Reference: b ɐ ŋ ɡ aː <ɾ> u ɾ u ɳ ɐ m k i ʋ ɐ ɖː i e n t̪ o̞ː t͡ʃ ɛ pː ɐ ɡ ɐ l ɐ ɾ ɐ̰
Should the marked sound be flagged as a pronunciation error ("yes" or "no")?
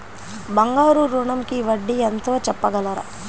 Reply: no